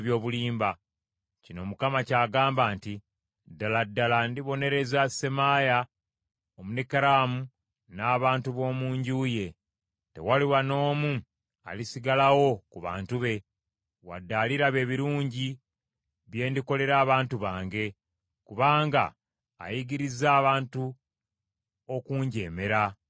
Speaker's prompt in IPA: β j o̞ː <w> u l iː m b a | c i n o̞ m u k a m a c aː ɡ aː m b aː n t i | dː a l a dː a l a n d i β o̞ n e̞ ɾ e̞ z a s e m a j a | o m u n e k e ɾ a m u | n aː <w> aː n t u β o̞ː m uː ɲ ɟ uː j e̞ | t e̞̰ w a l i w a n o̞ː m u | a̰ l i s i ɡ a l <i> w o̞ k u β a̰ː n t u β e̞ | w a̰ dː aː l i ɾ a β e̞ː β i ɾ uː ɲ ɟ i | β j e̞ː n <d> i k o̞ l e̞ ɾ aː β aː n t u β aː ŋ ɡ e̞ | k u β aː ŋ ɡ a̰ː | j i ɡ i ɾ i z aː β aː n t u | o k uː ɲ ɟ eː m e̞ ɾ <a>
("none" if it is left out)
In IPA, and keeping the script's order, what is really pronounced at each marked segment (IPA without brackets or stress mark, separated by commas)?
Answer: β, β, a, d, a